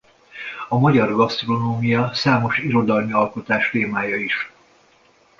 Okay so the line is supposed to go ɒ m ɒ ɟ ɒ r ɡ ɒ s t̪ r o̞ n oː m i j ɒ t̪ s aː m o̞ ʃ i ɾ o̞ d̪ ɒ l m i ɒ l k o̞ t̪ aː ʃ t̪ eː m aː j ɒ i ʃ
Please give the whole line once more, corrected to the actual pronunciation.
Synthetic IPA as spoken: ɒ m ɒ ɟ ɒ r ɡ ɒ s t̪ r o̞ n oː m i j ɒ s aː m o̞ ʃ i ɾ o̞ d̪ ɒ l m i ɒ l k o̞ t̪ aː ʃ t̪ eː m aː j ɒ i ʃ